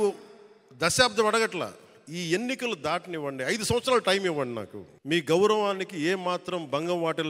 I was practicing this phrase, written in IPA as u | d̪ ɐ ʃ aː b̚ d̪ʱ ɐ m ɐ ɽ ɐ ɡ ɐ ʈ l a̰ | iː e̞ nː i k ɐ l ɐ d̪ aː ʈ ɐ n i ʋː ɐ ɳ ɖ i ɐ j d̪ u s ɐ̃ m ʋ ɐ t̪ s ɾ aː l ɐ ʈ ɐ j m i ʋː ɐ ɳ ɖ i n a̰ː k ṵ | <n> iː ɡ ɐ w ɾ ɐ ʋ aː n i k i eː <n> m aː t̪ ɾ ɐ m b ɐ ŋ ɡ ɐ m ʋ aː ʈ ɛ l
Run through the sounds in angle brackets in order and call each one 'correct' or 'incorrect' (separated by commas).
incorrect, incorrect